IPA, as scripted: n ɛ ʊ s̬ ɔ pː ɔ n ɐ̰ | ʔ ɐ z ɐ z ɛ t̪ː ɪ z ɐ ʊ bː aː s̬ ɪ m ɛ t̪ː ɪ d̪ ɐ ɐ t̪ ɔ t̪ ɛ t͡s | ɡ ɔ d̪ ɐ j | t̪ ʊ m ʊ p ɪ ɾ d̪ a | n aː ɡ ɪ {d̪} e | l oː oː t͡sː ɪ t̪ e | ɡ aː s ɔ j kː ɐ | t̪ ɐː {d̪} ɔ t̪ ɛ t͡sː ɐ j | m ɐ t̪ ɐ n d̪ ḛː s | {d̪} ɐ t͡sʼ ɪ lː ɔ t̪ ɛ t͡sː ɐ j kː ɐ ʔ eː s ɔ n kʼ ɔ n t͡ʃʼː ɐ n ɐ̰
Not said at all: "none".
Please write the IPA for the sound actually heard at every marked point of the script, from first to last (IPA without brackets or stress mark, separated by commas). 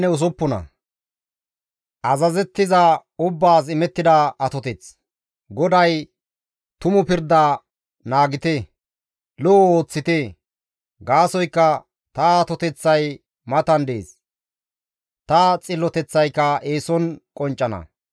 t̪, t̪, t̪